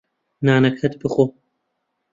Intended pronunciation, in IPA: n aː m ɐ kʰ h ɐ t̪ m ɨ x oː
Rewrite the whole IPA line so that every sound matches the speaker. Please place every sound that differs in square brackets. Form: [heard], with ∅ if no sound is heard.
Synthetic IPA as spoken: n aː [n] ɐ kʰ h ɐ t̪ [b] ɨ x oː